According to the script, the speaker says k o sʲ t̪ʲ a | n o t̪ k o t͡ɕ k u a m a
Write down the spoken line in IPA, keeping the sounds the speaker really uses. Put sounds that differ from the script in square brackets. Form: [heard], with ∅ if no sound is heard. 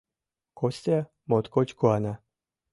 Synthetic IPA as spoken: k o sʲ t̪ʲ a | [m] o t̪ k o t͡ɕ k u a [n] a